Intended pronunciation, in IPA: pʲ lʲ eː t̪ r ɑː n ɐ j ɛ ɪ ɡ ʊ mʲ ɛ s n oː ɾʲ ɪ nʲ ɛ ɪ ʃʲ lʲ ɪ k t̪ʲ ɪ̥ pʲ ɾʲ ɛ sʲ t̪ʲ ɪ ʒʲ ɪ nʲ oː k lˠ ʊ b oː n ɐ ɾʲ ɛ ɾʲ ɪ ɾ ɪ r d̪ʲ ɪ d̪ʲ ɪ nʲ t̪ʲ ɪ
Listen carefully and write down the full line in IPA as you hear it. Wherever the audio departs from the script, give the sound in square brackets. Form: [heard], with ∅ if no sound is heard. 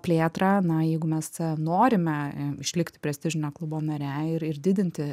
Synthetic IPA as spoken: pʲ lʲ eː t̪ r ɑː n ɐ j ɛ ɪ ɡ ʊ mʲ ɛ s n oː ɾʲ ɪ [mʲ] ɛ ɪ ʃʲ lʲ ɪ k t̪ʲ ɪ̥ pʲ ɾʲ ɛ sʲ t̪ʲ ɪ ʒʲ ɪ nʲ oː k lˠ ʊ b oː n ɐ ɾʲ ɛ [∅] ɪ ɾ ɪ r d̪ʲ ɪ d̪ʲ ɪ nʲ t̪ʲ ɪ